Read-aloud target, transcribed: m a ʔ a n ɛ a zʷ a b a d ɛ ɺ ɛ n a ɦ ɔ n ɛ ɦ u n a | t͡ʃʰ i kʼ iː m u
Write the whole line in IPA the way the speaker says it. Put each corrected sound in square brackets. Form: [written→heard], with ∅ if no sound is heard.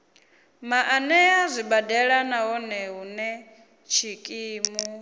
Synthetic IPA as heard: m a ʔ a n ɛ a zʷ [a→i] b a d ɛ ɺ [ɛ→a] n a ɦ ɔ n ɛ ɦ u n [a→ɛ] | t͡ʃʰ i kʼ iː m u

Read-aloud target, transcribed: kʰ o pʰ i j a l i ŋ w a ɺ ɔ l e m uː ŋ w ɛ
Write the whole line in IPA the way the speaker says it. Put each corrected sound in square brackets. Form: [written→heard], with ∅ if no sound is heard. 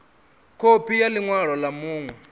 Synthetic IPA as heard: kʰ o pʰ i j a l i ŋ w a ɺ ɔ l [e→a] m uː ŋ w ɛ

